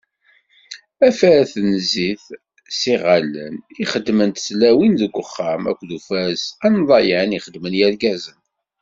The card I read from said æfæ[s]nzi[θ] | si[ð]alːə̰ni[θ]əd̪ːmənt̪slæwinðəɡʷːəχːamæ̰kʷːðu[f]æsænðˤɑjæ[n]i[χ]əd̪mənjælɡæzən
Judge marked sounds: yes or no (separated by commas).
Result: no, yes, no, no, yes, yes, yes